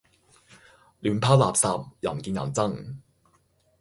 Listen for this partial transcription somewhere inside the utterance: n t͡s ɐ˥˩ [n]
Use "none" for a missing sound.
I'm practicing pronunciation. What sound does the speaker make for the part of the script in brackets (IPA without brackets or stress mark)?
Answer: ŋ